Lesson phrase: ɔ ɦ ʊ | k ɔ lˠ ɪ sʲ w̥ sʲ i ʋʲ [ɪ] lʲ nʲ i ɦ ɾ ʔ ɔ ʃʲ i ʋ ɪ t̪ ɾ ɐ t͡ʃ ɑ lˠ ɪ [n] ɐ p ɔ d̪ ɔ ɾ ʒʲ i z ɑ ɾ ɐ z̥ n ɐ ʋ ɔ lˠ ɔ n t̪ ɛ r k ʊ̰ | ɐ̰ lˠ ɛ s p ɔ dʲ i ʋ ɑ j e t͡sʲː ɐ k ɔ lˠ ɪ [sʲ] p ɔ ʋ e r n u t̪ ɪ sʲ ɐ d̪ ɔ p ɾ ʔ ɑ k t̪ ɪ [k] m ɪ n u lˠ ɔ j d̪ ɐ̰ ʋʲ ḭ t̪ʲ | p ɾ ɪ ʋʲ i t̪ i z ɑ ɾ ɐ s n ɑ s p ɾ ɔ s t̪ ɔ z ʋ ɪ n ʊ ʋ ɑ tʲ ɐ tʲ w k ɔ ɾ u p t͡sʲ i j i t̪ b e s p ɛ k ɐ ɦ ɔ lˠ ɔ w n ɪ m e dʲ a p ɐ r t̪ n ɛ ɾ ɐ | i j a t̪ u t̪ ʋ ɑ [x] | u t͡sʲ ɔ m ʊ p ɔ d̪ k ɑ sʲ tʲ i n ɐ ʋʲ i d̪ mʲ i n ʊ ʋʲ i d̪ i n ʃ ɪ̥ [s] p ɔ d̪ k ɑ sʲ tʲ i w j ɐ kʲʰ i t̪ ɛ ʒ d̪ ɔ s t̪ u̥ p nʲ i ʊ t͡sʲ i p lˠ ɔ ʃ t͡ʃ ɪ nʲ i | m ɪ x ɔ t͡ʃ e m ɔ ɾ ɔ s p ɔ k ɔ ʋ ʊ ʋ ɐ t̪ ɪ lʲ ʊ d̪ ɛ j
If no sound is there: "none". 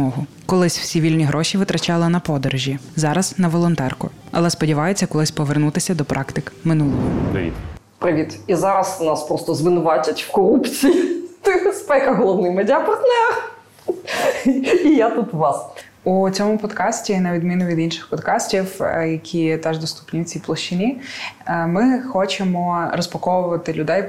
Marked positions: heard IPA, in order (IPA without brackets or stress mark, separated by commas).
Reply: i, n, sʲ, k, s, x